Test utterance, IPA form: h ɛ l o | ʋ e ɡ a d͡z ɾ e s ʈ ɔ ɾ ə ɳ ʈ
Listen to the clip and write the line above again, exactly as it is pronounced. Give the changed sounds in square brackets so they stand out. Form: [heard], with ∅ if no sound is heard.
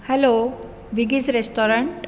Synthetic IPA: h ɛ l o | ʋ [i] ɡ [i] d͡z ɾ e s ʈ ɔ ɾ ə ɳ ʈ